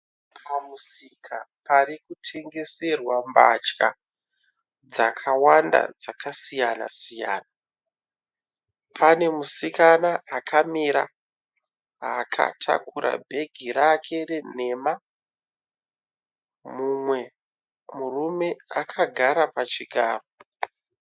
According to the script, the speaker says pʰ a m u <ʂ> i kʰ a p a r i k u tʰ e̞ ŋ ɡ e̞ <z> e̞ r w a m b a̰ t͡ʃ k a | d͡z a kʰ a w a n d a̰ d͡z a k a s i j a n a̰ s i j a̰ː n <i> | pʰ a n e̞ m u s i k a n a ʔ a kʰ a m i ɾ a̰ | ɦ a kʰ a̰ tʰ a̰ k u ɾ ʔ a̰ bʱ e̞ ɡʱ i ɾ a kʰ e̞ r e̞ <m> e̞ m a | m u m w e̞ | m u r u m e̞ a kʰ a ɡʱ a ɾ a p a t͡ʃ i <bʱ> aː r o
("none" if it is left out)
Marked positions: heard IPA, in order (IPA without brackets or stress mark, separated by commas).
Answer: s, s, a, n, ɡʱ